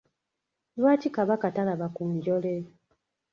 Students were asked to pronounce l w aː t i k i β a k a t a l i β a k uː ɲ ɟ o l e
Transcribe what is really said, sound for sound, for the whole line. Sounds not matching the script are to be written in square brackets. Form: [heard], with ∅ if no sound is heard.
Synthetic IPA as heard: l w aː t i k [a] β a k a t a l [a] β a k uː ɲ ɟ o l e